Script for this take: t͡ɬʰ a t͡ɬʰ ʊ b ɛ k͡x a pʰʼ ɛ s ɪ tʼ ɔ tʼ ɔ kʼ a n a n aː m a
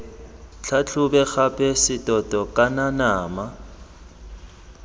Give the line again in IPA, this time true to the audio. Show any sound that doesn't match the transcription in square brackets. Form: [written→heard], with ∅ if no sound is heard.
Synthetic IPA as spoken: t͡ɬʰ a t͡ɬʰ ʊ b ɛ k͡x a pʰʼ ɛ s ɪ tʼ ɔ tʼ ɔ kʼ a n a n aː m a

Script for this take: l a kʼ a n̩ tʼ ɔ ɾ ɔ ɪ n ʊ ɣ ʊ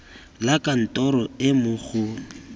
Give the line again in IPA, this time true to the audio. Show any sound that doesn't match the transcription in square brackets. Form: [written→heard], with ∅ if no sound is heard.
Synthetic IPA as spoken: l a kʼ a n̩ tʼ ɔ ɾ ɔ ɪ [n→m] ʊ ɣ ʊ

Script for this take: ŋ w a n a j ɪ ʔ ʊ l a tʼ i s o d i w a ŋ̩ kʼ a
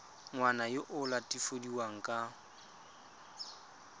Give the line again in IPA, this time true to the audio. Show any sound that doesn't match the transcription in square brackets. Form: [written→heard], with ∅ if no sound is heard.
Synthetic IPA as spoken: ŋ w a n a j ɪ ʔ ʊ l a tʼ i [s→f] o d i w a ŋ̩ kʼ a

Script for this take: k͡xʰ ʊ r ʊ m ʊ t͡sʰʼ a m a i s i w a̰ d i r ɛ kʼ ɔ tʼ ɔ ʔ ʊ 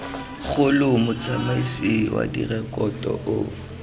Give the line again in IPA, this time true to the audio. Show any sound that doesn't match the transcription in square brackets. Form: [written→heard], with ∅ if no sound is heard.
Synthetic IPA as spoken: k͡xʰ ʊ [r→l] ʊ m ʊ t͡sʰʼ a m a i s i w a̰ d i r ɛ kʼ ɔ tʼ ɔ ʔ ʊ

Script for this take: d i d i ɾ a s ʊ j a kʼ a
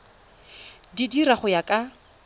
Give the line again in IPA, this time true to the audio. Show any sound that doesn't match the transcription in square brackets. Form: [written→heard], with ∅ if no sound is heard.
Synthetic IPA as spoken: d i d i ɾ a [s→χ] ʊ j a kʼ a

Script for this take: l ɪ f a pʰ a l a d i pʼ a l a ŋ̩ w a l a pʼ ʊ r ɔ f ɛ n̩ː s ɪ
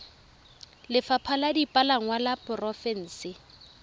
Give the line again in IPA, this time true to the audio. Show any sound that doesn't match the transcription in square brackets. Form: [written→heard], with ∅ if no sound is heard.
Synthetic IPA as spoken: l ɪ f a pʰ a l a d i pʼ a l a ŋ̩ w a l a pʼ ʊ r ɔ f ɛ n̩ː s ɪ

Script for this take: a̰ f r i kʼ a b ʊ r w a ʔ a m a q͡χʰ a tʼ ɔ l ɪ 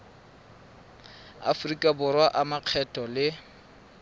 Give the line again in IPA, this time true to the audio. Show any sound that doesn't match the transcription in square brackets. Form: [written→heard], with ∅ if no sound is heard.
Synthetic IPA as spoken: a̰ f r i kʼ a b ʊ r w a ʔ a m a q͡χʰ [a→ɛ] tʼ ɔ l ɪ

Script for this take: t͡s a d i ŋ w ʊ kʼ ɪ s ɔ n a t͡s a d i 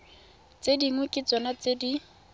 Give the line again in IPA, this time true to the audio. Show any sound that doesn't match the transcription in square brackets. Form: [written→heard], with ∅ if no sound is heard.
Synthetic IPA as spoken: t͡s [a→e] d i ŋ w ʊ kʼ ɪ [s→t͡s] ɔ n a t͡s [a→e] d i

